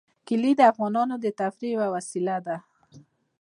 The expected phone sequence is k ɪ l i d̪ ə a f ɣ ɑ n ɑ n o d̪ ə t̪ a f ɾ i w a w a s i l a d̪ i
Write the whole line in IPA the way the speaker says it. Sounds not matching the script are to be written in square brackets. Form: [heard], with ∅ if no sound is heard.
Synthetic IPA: k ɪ l i d̪ ə a f ɣ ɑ n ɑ n o d̪ ə t̪ a f ɾ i w a w a s i l a d̪ [a]